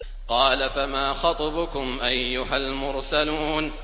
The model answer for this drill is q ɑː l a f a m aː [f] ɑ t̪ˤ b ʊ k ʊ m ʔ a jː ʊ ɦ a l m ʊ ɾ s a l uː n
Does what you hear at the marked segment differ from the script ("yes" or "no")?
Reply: yes